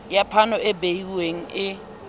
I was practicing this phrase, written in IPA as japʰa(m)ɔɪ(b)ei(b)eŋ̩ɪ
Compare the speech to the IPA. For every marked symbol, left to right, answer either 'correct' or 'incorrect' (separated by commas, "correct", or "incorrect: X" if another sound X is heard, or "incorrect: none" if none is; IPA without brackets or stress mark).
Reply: incorrect: n, correct, incorrect: w